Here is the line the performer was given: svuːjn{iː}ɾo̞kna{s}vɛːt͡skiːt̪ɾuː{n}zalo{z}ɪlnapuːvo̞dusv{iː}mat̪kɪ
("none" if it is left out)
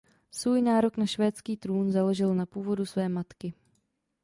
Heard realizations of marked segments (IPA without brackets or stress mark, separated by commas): aː, ʃ, n, ʒ, ɛː